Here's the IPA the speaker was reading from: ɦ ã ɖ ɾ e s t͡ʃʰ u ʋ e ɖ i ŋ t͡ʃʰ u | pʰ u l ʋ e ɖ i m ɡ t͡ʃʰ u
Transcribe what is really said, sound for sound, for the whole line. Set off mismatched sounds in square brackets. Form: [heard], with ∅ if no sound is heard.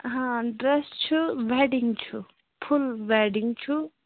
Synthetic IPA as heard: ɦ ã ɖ ɾ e s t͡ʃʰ u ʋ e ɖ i ŋ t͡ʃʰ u | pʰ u l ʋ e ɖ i [ŋ] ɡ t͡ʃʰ u